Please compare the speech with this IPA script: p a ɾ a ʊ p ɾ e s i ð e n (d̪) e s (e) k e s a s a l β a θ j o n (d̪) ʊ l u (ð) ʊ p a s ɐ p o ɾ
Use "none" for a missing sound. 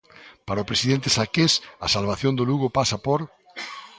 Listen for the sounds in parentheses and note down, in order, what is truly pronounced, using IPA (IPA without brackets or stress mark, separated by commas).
t̪, a, d̪, ɣ